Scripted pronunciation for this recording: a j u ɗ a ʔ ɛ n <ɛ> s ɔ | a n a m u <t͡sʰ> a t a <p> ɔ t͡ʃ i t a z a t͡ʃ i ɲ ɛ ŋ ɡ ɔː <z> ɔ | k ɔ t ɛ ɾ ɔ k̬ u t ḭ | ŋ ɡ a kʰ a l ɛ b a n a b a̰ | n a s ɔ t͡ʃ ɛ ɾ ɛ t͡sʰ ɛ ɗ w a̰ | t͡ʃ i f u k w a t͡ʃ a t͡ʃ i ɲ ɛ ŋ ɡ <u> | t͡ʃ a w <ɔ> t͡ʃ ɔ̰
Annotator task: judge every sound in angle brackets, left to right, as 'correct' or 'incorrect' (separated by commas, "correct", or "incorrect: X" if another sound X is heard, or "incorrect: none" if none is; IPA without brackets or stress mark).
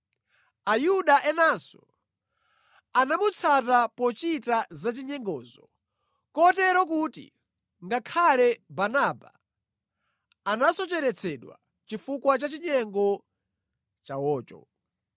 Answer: incorrect: a, correct, correct, correct, incorrect: ɔ, incorrect: ɔː